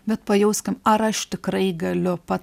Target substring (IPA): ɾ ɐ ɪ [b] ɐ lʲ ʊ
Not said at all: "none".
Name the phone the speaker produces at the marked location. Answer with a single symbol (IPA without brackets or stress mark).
ɡ